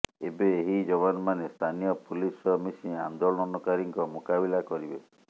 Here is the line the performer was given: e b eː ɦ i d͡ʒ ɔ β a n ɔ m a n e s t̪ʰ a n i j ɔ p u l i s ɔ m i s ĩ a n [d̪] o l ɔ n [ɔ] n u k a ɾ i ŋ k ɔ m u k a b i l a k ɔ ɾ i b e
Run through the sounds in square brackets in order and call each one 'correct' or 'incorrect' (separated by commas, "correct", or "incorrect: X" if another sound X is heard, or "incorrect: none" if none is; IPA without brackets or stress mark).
correct, correct